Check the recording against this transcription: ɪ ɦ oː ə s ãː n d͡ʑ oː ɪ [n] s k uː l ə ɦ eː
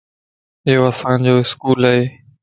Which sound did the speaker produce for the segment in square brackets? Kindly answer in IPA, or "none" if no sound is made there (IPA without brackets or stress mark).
none